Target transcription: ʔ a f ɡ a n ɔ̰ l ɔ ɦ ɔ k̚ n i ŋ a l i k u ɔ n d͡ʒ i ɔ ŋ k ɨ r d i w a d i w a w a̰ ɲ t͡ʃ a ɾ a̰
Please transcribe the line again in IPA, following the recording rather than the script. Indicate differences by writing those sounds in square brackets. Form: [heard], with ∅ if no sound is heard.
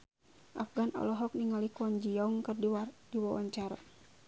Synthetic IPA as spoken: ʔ a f ɡ a n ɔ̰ l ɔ ɦ ɔ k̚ n i ŋ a l i k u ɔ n d͡ʒ i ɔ ŋ k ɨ r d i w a d i w a w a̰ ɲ t͡ʃ a ɾ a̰